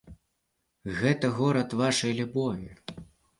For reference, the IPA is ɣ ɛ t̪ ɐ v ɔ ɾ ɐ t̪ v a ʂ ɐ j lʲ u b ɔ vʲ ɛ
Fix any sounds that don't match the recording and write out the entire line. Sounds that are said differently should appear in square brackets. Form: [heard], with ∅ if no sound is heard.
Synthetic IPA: ɣ ɛ t̪ ɐ [ɣ] ɔ ɾ ɐ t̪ v a ʂ ɐ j lʲ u b ɔ vʲ [i]